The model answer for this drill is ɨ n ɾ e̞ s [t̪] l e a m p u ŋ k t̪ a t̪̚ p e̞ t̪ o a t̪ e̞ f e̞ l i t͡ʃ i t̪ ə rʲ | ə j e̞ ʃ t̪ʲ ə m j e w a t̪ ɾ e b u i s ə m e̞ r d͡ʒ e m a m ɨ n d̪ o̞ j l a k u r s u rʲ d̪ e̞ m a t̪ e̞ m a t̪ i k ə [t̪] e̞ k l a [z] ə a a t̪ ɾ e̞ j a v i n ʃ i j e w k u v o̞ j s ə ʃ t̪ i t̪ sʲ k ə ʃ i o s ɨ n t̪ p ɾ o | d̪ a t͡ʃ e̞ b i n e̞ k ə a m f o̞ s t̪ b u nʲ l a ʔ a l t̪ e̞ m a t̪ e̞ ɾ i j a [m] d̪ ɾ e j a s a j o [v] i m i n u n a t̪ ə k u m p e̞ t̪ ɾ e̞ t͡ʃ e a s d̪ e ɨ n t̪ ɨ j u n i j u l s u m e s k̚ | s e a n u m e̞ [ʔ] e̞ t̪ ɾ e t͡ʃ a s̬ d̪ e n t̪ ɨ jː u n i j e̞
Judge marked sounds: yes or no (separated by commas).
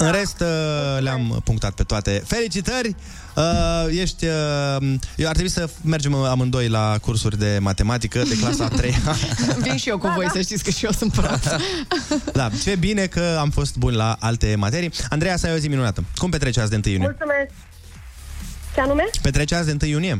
yes, no, no, no, no, no